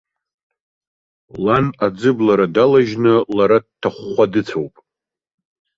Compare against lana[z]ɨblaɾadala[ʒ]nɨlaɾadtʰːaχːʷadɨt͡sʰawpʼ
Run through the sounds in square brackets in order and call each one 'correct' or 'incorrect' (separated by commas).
incorrect, correct